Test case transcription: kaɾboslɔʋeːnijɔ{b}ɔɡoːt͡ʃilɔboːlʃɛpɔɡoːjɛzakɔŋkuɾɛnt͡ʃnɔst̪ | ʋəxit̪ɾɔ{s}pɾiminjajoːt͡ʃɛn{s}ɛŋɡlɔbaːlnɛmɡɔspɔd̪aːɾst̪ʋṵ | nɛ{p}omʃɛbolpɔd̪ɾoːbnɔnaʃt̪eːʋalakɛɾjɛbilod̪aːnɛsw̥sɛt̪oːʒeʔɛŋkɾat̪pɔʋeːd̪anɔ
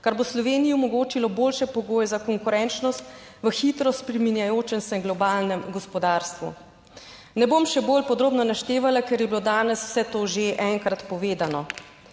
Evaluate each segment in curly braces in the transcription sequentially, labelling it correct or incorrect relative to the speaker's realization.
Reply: incorrect: m, correct, correct, incorrect: b

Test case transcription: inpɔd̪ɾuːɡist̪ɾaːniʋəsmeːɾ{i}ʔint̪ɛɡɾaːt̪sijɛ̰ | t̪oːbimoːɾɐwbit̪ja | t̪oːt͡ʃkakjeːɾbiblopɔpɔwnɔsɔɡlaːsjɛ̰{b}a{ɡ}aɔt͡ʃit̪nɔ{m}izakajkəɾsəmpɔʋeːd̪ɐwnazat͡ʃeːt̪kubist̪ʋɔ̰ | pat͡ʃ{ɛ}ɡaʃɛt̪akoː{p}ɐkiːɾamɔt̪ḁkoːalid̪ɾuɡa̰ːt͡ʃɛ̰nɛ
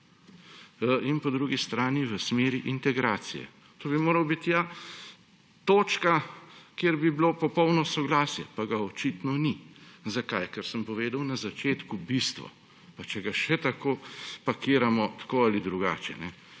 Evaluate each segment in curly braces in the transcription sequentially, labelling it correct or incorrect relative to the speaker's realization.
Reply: correct, incorrect: p, correct, incorrect: n, correct, correct

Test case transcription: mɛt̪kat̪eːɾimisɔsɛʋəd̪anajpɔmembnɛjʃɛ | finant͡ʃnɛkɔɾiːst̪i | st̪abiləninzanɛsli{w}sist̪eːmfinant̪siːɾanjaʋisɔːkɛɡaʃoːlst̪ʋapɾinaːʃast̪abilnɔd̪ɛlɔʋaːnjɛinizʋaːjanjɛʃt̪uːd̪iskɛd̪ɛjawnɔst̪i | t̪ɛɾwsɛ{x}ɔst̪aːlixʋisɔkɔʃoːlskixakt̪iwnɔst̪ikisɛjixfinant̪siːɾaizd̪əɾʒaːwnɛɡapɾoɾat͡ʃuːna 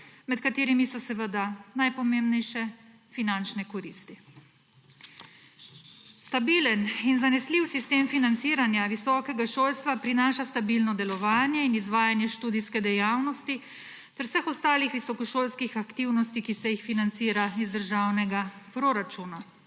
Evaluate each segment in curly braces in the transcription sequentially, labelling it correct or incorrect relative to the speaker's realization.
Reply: correct, correct

